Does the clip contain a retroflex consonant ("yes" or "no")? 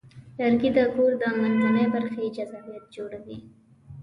yes